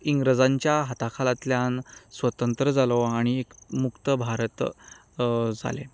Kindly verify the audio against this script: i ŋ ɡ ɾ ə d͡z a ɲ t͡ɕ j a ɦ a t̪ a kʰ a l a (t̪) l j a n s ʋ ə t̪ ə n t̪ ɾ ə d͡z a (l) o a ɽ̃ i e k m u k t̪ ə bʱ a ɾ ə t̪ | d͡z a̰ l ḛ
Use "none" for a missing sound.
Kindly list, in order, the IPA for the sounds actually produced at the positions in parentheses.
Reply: t̪, l

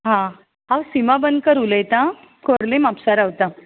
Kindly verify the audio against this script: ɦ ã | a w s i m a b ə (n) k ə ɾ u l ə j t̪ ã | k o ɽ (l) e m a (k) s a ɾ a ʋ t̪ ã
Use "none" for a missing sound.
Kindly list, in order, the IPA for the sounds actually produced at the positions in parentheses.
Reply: n, l, p

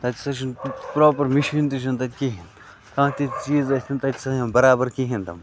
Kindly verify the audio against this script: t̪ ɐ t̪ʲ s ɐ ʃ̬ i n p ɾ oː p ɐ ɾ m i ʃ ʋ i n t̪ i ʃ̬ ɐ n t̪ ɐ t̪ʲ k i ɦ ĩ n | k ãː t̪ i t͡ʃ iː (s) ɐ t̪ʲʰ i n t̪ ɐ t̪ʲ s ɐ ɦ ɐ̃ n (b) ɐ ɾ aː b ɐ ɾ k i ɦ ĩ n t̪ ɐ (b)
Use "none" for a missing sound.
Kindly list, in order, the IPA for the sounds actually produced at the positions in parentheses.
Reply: z, b, m

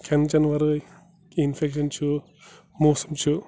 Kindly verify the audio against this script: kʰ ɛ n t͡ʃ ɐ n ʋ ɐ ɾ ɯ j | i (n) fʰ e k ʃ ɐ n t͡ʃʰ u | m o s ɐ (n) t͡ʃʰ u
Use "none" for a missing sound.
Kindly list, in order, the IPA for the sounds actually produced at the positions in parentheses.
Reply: n, m

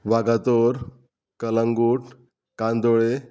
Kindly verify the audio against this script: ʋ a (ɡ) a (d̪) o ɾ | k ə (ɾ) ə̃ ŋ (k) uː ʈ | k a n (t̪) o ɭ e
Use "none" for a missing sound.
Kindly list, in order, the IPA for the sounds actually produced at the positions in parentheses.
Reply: ɡ, t̪, l, ɡ, d̪

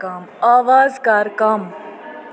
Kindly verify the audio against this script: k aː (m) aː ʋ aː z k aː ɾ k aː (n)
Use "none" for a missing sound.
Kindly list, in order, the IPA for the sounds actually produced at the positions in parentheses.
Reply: m, m

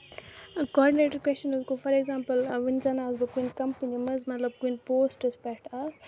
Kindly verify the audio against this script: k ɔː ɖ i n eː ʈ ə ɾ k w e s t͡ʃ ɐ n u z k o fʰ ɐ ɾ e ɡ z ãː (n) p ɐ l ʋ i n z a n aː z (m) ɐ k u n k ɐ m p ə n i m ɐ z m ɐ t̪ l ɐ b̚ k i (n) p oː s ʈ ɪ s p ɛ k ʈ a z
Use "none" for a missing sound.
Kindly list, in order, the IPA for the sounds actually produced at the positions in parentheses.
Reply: m, b, n

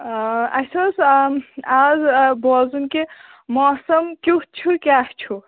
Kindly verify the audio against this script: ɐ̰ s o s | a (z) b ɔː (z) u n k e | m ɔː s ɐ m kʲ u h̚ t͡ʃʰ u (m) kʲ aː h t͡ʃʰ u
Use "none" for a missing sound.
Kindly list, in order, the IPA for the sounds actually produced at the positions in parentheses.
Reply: z, z, none

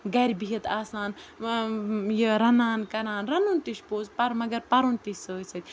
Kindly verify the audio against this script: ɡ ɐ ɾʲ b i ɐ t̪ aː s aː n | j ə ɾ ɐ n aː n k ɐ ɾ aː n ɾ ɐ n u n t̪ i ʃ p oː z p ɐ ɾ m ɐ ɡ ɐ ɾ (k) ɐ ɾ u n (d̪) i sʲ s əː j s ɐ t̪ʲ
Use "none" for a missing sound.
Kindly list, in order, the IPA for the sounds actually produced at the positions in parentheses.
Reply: p, t̪

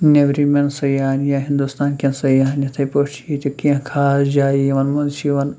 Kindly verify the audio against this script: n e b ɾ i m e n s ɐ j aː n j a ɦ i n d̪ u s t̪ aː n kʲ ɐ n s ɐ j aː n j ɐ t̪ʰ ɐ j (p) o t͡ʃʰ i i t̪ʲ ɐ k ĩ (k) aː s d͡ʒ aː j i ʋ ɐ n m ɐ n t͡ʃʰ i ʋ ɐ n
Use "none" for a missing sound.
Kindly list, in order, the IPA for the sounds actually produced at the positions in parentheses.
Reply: p, kʰ

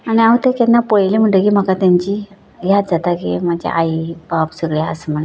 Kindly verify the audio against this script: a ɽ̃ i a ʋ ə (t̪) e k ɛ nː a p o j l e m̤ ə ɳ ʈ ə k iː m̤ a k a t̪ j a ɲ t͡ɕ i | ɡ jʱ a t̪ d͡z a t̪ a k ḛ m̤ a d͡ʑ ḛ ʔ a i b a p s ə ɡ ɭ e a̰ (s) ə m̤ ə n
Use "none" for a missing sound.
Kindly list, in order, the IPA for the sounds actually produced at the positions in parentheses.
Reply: t̪, s

